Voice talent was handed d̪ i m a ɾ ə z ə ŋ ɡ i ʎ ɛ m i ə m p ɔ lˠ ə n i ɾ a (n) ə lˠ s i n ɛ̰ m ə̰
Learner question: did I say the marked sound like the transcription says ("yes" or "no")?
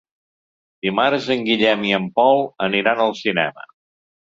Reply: yes